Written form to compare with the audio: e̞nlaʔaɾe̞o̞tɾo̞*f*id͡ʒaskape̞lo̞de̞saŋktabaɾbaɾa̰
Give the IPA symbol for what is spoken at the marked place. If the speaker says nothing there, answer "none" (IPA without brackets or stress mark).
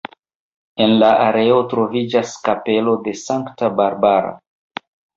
v